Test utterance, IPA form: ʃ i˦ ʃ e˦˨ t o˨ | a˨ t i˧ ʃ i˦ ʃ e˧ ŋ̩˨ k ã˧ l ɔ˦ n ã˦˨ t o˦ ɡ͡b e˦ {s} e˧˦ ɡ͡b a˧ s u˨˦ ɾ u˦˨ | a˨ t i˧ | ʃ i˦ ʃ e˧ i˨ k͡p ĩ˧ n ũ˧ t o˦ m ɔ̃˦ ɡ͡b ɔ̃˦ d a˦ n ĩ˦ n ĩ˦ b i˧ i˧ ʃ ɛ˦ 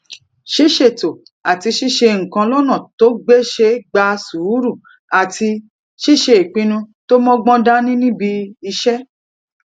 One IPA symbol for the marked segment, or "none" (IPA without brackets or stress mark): ʃ